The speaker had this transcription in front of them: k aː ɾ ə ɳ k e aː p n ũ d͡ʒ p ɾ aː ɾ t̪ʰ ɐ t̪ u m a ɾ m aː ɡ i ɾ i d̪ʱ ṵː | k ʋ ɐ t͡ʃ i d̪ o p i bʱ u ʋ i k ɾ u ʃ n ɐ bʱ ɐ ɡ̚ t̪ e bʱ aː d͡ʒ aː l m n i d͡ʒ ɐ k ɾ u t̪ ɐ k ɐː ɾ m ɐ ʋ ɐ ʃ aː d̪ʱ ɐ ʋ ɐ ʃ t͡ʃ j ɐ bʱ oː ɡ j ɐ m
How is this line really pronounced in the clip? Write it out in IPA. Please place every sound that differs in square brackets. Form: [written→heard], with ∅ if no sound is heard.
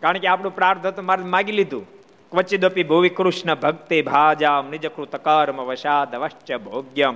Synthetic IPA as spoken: k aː ɾ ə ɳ k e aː p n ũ [d͡ʒ→∅] p ɾ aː ɾ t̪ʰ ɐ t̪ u m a ɾ m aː ɡ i [ɾ→l] i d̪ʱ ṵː | k ʋ ɐ t͡ʃ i d̪ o p i bʱ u ʋ i k ɾ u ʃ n ɐ bʱ ɐ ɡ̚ t̪ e bʱ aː d͡ʒ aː [l→∅] m n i d͡ʒ ɐ k ɾ u t̪ ɐ k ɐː ɾ m ɐ ʋ ɐ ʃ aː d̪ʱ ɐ ʋ ɐ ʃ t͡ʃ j ɐ bʱ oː ɡ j ɐ m